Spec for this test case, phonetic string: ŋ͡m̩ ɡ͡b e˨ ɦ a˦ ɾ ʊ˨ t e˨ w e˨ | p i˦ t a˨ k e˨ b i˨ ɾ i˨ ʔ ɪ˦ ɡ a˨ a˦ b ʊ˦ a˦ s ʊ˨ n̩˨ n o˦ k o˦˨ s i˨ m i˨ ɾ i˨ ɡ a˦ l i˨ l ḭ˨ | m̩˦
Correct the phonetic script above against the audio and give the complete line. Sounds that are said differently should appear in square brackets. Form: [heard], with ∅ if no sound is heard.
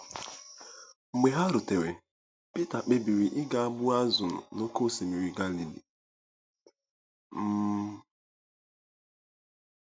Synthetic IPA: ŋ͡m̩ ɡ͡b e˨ ɦ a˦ ɾ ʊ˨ t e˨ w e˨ | p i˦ t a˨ [k͡p] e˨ b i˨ ɾ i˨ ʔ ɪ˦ ɡ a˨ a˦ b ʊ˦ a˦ [z] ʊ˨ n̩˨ n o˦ k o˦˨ s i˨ m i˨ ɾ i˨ ɡ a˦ l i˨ l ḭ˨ | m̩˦